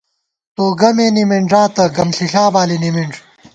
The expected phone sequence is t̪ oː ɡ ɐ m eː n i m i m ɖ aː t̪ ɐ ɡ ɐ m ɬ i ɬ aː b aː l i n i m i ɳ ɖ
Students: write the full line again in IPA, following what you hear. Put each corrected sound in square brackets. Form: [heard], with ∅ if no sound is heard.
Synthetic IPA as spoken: t̪ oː ɡ ɐ m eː n i m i [ɳ] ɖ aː t̪ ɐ ɡ ɐ m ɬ i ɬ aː b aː l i n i m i ɳ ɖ